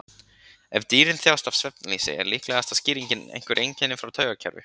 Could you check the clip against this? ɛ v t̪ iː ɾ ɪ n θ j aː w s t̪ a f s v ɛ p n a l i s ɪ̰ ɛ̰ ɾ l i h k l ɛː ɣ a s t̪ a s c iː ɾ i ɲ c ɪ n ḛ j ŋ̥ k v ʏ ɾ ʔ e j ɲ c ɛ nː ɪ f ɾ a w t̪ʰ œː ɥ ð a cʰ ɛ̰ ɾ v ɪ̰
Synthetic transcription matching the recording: ɛ v t̪ iː ɾ ɪ n θ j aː w s t̪ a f s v ɛ p n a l i s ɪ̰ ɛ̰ ɾ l i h k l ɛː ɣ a s t̪ a s c iː ɾ i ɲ c ɪ n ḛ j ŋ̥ k v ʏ ɾ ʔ e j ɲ c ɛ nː ɪ f ɾ a w t̪ʰ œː ɥ ɣ a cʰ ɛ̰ ɾ v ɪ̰